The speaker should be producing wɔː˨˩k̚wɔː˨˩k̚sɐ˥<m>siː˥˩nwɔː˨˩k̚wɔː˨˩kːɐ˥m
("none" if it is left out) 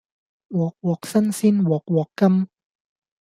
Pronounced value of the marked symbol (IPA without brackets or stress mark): n